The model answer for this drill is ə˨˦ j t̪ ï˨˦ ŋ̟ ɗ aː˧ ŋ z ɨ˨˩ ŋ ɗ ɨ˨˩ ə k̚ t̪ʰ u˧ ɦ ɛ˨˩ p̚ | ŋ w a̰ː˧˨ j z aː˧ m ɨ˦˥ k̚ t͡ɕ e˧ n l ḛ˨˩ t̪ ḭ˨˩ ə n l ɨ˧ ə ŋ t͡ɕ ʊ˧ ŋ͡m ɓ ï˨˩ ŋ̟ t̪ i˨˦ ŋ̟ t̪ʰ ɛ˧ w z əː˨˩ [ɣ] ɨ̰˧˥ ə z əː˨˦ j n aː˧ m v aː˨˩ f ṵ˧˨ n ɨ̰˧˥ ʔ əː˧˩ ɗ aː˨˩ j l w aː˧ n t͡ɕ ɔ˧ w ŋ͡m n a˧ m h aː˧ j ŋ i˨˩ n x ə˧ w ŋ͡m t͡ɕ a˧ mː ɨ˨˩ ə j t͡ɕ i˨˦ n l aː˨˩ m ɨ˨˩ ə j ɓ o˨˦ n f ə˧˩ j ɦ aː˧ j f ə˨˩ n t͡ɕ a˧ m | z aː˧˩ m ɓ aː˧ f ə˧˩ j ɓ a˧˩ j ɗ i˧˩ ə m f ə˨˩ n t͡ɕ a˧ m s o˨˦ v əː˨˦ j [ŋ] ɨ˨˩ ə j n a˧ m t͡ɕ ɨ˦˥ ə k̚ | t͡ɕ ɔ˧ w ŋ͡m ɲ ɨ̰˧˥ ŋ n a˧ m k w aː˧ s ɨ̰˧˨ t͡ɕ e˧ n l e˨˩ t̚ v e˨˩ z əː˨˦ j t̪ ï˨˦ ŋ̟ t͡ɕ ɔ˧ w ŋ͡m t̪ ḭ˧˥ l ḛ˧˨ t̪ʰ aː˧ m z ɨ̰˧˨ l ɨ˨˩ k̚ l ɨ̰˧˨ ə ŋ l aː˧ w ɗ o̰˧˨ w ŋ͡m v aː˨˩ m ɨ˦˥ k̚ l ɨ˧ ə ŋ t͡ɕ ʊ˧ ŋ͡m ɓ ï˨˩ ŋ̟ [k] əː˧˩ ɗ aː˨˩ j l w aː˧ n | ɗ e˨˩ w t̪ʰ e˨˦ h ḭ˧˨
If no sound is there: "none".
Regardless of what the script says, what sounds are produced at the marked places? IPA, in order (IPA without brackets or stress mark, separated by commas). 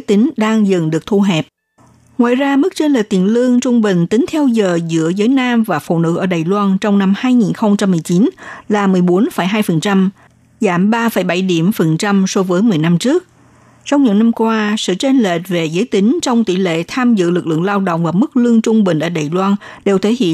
z, m, ʔ